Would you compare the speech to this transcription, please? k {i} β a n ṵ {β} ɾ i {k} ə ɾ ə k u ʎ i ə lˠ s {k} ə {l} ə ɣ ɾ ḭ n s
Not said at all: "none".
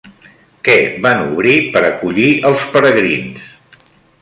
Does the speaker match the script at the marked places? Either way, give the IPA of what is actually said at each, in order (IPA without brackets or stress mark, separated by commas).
ɛ, β, p, p, ɾ